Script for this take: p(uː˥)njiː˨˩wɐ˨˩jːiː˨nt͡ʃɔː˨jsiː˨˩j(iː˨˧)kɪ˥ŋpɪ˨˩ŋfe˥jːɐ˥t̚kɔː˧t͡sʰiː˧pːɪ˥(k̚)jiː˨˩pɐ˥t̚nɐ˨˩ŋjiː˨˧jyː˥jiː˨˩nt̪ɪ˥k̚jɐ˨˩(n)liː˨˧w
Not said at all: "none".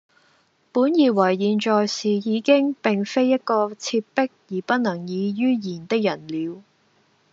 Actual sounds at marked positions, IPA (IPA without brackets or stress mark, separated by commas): uː˨˥, iː˨˧, k̚, n